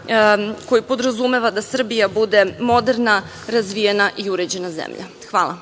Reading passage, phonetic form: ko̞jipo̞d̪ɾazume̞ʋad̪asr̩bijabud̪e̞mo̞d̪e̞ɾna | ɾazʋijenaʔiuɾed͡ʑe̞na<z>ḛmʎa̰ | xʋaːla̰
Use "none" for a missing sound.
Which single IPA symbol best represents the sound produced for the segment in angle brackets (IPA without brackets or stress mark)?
z